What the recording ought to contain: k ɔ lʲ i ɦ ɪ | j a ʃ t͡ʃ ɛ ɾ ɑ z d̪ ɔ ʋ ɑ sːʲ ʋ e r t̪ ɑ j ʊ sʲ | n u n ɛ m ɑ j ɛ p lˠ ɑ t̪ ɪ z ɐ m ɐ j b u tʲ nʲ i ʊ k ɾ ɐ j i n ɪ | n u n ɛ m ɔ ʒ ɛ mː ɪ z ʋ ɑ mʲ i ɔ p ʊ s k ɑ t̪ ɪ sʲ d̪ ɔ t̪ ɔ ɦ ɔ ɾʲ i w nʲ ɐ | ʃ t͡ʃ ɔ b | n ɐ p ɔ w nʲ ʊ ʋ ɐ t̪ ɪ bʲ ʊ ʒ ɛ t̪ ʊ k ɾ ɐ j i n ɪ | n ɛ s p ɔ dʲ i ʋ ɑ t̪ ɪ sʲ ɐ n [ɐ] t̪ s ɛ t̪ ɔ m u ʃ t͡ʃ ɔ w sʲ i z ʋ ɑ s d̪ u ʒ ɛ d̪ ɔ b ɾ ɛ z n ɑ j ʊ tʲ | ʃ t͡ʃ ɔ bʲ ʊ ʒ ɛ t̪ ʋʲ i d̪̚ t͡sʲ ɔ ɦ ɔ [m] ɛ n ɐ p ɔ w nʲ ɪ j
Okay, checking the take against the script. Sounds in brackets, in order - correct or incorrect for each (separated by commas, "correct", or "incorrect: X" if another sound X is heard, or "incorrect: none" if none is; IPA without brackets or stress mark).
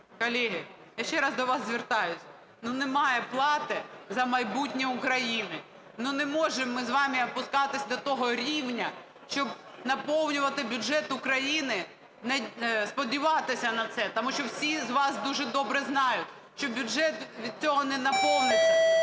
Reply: correct, incorrect: n